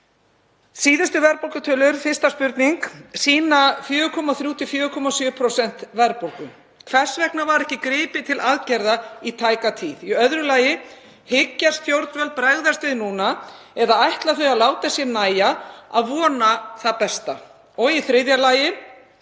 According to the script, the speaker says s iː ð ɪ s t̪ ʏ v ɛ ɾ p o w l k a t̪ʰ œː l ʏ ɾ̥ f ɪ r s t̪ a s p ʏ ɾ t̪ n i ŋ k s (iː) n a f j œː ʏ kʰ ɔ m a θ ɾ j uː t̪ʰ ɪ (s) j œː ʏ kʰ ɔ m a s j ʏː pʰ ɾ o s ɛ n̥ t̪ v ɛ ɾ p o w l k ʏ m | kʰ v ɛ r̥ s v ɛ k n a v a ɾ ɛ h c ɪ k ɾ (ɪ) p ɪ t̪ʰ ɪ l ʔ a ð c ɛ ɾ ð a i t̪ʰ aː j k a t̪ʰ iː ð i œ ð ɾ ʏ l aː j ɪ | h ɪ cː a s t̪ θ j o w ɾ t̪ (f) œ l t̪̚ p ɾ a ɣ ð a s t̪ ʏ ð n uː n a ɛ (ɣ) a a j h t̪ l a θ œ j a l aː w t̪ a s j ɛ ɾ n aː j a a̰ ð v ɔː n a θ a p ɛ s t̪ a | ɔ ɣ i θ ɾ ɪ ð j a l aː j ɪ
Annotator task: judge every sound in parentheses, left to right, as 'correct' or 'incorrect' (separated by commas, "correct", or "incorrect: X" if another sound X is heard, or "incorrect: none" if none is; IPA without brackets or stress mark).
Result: correct, incorrect: f, incorrect: ɪː, incorrect: v, incorrect: ð